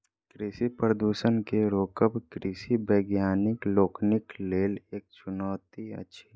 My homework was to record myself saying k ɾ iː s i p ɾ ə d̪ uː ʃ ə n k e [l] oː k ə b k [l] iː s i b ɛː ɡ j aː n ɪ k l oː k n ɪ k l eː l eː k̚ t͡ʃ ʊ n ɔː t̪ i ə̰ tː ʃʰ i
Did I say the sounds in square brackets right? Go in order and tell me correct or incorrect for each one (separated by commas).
incorrect, incorrect